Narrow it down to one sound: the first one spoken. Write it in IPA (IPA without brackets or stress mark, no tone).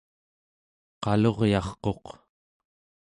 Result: q